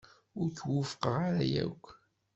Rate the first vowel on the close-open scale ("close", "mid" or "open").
close